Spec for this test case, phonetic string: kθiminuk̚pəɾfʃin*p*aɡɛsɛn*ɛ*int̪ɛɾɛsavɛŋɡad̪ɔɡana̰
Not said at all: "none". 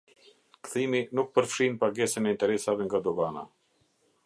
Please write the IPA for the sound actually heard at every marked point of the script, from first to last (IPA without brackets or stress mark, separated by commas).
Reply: p, ɛ